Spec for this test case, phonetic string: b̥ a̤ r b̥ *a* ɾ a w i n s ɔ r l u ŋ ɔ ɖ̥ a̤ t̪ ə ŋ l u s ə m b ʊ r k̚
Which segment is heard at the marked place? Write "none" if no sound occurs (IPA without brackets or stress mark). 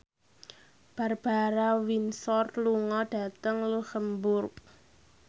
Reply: a